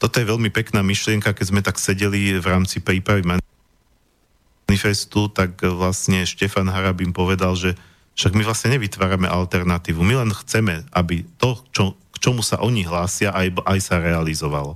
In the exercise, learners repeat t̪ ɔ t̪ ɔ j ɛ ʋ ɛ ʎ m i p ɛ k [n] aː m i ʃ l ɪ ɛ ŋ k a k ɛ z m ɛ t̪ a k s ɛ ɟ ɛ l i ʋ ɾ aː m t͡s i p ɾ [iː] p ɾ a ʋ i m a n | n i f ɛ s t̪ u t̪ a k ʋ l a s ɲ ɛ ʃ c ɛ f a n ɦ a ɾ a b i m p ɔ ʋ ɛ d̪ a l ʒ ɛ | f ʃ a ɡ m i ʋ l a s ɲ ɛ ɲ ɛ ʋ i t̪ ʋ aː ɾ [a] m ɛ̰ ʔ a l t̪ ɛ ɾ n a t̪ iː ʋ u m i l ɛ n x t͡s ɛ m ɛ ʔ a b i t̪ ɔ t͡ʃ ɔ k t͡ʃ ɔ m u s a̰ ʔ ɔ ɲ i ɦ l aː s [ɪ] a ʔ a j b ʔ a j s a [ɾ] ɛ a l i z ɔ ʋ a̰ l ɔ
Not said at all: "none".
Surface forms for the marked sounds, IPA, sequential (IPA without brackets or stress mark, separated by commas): n, iː, a, ɪ, ɾ